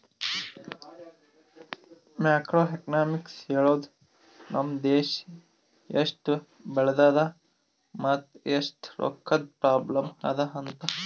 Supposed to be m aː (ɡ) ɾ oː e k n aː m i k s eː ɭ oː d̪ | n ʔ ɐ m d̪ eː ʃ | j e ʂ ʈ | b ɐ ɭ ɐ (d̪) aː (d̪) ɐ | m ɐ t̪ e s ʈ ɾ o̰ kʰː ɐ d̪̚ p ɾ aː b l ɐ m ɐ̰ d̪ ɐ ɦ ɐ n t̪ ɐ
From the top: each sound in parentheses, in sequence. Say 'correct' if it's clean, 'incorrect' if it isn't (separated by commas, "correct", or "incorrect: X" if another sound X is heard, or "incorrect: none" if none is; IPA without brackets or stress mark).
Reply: incorrect: k, correct, correct